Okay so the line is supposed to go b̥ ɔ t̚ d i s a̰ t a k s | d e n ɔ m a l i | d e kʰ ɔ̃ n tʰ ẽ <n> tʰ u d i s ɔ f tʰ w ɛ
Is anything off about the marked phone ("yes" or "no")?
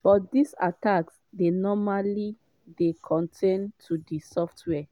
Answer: no